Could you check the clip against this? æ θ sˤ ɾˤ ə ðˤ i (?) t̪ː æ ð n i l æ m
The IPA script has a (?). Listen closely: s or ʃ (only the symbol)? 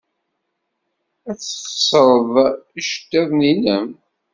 ʃ